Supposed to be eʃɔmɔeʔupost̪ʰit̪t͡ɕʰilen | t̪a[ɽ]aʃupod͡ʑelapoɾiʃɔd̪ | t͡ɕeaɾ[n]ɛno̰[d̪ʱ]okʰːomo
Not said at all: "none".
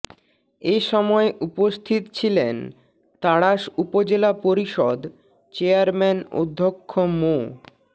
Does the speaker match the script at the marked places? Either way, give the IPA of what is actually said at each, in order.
ɽ, m, d̪ʱː

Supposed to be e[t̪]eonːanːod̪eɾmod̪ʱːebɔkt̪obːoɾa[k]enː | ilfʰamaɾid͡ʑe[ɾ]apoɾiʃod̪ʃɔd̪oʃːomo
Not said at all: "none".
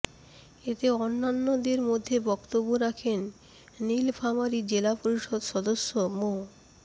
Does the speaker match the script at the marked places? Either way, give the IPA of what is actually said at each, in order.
t̪, kʰ, l

